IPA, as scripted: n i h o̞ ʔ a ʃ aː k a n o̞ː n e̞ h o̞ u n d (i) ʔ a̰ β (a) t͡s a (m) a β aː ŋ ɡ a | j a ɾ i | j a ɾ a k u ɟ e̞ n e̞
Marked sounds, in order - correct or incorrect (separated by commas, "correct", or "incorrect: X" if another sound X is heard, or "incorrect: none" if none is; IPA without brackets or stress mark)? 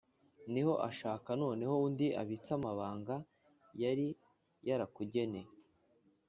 correct, incorrect: i, correct